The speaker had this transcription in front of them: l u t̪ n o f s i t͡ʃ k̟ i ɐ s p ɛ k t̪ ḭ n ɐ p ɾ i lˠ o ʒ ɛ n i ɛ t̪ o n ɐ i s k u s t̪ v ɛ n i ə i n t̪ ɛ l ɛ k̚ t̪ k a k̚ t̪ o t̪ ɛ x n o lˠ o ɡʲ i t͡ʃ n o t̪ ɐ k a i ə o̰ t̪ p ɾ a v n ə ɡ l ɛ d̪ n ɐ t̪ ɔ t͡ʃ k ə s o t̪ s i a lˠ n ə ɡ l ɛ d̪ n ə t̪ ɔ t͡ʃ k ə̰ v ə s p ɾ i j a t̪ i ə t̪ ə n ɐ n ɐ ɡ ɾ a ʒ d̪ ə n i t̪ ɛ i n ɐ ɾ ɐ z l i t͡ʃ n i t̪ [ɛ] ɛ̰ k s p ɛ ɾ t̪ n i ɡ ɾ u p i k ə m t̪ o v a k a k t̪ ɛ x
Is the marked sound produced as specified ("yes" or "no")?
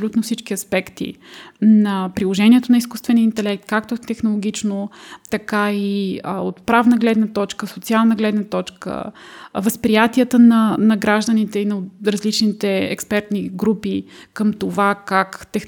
yes